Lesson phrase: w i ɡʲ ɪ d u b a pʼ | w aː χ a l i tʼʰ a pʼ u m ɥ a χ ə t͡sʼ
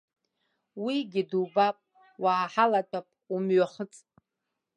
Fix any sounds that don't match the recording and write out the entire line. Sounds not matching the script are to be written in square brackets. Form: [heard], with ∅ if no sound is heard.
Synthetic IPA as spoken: w i ɡʲ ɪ d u b a pʼ | w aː [ħ] a l [a] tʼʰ a pʼ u m ɥ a χ ə t͡sʼ